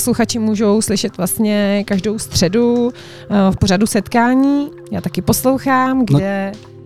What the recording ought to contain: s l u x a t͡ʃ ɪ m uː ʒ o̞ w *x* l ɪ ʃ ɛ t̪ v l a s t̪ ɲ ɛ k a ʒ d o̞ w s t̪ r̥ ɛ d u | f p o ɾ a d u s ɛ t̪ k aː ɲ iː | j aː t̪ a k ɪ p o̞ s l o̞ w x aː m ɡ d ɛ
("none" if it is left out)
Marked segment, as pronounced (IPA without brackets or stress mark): s